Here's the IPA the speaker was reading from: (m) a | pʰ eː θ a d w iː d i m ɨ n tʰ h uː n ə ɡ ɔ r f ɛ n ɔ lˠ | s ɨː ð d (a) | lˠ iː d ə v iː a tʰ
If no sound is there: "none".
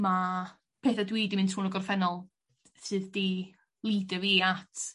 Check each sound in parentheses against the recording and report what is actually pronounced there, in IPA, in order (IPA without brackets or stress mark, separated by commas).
m, i